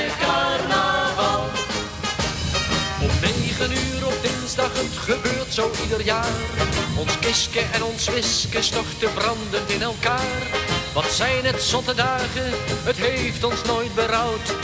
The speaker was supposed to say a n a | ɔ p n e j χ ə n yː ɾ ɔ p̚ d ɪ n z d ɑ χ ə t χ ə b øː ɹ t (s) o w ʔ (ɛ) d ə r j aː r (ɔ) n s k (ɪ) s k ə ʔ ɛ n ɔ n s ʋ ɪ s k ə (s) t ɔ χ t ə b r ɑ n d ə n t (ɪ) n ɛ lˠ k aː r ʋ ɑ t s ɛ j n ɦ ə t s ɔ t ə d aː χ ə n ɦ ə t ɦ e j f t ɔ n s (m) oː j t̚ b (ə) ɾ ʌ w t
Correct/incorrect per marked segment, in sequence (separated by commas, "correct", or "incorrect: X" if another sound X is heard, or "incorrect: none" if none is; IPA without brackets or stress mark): correct, incorrect: i, correct, correct, correct, correct, incorrect: n, correct